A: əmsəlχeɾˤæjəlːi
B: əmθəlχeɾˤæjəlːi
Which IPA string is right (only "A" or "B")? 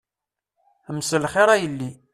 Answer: A